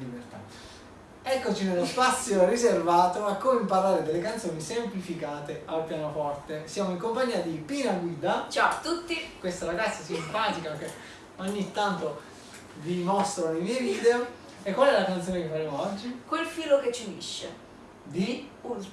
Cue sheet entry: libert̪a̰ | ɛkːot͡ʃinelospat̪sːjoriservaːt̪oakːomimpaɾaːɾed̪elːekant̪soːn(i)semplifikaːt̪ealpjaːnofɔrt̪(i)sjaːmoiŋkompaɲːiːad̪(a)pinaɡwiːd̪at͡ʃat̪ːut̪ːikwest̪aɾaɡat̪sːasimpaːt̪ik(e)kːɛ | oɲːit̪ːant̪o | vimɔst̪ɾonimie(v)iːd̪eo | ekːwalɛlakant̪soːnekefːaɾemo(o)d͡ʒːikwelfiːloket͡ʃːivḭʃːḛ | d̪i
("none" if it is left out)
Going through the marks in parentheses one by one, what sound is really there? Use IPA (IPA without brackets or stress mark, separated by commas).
i, e, i, a, v, ɔ